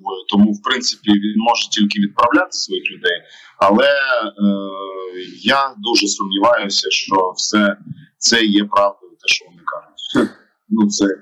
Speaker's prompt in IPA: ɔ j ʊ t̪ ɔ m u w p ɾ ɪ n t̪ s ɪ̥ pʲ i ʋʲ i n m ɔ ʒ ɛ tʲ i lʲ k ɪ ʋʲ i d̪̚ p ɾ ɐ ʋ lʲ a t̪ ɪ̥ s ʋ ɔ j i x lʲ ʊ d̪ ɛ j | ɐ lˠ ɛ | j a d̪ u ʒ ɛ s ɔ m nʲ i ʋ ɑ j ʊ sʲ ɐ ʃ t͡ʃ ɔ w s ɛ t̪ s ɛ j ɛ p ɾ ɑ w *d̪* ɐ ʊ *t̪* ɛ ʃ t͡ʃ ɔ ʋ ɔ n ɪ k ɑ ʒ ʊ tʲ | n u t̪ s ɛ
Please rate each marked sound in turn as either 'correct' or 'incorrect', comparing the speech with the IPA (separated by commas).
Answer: correct, correct